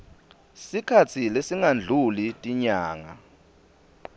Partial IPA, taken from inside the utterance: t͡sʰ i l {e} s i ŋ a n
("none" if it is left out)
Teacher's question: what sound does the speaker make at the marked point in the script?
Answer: e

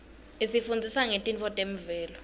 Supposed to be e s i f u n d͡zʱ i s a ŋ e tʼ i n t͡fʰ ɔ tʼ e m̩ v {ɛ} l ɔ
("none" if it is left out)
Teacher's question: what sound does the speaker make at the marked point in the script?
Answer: ɛː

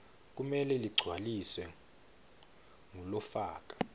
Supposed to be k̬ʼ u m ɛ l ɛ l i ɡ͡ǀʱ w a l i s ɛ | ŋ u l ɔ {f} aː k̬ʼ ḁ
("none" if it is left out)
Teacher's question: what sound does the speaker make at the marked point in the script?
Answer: f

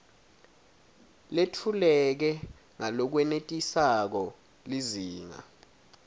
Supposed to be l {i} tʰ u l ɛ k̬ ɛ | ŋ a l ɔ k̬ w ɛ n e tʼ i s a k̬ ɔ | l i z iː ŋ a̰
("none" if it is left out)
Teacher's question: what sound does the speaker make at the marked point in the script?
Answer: e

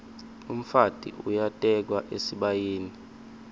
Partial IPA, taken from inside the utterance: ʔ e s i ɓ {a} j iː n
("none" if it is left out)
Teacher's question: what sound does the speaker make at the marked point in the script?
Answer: a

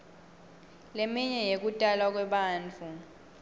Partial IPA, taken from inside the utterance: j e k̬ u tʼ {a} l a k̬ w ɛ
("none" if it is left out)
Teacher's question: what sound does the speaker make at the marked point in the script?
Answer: a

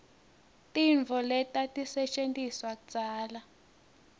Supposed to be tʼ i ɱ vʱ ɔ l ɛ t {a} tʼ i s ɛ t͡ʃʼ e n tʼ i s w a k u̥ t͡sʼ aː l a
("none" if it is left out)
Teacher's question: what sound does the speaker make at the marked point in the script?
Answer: a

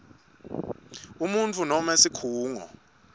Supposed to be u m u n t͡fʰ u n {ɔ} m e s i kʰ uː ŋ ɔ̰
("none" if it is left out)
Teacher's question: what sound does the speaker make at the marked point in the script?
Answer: ɔ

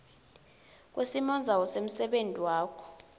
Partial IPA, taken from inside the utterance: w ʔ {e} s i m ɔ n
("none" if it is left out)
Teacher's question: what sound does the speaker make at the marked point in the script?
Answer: e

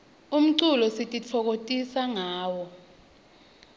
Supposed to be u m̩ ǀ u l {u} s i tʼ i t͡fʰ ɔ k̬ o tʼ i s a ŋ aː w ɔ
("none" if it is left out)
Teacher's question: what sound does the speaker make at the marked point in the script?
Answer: ɔ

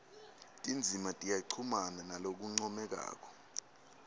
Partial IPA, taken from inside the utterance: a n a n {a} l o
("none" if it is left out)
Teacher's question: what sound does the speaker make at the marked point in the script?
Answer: a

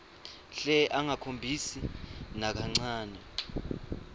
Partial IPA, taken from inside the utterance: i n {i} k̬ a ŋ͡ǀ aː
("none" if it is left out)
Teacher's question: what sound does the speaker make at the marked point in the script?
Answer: a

